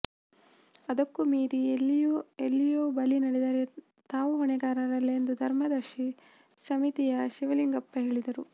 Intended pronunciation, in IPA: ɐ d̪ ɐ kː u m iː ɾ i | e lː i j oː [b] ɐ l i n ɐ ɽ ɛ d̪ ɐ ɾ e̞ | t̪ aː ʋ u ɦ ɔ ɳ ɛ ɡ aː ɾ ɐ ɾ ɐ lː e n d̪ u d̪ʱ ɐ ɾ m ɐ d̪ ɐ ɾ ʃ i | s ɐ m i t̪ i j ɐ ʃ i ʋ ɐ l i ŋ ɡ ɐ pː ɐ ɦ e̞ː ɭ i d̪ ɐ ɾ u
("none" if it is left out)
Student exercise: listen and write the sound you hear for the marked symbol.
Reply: b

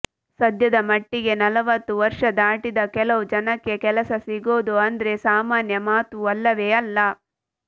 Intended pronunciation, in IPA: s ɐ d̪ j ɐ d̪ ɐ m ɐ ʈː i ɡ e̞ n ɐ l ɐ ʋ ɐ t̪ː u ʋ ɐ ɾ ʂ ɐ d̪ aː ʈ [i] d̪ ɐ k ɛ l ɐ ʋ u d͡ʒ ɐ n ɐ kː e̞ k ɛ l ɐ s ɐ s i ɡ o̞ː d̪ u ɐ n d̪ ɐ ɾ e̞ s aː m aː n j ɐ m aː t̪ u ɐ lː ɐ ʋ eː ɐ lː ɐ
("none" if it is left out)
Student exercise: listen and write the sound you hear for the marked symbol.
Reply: i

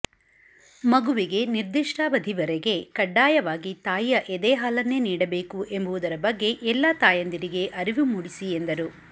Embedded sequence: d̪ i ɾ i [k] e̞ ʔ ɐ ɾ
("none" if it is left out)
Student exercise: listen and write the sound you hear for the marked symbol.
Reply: ɡ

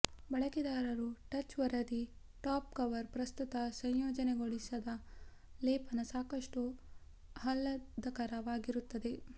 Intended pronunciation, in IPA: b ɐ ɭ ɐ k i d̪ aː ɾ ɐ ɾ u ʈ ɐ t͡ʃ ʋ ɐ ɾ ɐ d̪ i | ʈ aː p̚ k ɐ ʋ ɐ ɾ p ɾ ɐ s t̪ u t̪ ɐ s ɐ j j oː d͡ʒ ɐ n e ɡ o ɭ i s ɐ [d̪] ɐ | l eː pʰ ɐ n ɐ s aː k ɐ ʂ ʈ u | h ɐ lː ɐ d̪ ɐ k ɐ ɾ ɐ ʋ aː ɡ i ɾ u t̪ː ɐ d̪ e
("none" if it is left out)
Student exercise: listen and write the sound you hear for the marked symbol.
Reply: d̪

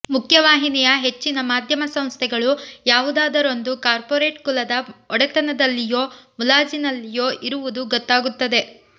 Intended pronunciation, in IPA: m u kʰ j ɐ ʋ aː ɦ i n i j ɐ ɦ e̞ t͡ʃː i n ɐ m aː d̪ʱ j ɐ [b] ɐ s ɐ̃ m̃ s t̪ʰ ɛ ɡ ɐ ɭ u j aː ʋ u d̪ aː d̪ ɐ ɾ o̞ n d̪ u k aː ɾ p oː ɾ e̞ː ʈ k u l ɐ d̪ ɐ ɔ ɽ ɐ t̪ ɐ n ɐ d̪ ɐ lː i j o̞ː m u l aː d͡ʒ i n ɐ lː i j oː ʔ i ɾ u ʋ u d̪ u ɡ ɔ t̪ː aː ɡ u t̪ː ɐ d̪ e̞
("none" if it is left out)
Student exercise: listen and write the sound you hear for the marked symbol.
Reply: m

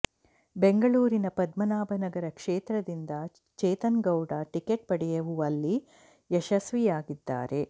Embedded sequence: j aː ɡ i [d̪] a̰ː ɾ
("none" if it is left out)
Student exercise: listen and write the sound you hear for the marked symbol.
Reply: d̪ː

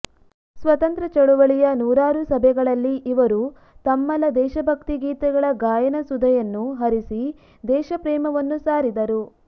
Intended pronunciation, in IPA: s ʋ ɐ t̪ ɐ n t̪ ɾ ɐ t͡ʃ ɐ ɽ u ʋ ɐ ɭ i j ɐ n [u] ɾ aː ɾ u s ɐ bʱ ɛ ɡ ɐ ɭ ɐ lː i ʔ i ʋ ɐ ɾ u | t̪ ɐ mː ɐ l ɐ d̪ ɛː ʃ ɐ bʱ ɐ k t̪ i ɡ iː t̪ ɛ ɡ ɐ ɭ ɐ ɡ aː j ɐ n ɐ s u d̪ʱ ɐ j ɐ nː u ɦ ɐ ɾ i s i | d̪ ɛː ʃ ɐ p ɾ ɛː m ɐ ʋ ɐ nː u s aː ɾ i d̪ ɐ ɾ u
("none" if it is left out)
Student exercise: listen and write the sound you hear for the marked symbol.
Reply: uː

